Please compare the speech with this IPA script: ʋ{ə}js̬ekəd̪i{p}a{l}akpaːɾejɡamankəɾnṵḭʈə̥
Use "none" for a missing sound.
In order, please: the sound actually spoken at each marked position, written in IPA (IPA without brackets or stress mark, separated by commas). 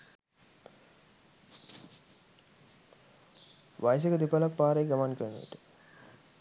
a, p, l